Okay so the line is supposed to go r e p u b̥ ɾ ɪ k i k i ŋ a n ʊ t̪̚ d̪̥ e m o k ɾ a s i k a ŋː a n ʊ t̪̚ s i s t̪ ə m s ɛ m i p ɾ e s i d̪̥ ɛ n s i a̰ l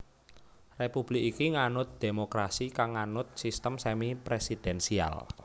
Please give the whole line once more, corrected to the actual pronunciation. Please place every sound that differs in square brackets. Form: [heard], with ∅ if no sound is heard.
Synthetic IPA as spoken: r e p u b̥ [l] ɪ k i k i ŋ a n ʊ t̪̚ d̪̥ e m o k ɾ a s i k a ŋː a n ʊ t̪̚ s i s t̪ ə m s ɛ m i p ɾ e s i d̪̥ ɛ n s i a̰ l